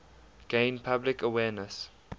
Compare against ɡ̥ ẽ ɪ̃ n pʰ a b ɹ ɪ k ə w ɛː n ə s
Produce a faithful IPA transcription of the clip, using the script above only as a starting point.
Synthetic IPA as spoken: ɡ̥ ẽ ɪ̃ n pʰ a b l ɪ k ə w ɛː n ə s